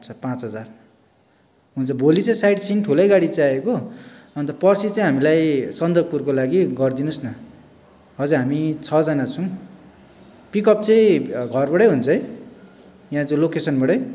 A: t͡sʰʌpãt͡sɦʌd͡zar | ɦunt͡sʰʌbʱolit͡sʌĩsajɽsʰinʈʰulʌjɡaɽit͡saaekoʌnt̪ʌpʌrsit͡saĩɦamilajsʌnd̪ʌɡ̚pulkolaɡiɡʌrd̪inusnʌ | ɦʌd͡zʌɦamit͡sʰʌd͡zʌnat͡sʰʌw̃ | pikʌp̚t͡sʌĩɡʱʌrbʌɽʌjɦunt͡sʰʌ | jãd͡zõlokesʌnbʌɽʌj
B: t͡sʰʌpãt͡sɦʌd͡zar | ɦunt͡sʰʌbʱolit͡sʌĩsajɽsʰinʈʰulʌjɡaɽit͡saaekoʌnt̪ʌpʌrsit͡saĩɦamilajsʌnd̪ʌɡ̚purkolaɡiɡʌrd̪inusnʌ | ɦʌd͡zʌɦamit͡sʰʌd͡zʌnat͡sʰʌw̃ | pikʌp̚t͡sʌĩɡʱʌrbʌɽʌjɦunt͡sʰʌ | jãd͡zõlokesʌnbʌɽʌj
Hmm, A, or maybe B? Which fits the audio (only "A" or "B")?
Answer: B